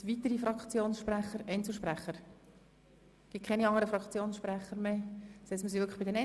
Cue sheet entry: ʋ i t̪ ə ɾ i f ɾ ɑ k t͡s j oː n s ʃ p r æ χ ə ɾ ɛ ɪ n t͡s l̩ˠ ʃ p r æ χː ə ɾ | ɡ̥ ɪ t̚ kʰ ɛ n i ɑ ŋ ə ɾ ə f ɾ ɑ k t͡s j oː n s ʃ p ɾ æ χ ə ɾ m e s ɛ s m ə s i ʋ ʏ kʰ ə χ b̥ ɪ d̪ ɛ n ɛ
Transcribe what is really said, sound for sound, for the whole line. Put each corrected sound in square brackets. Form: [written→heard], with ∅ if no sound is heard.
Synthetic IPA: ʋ i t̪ ə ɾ i f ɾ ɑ k t͡s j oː n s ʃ p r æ χ ə ɾ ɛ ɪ n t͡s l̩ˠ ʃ p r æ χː ə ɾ | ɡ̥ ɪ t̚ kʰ ɛ n i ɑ ŋ ə ɾ ə f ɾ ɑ k t͡s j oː n s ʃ p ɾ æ χ ə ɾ m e s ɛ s m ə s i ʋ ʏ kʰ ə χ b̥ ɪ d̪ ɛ n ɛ